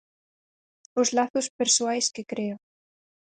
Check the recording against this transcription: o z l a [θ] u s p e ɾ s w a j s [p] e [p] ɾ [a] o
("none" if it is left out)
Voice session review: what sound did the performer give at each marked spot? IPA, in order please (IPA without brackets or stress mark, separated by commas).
θ, k, k, e